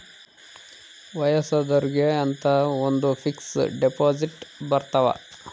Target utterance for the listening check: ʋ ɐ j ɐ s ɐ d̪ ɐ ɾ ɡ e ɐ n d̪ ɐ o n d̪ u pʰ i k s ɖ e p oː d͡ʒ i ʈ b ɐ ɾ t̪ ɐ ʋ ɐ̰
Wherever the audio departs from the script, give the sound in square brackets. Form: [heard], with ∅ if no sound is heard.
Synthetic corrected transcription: ʋ ɐ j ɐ s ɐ d̪ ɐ ɾ ɡ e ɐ n [t̪] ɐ o n d̪ u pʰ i k s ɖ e p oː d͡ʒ i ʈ b ɐ ɾ t̪ ɐ ʋ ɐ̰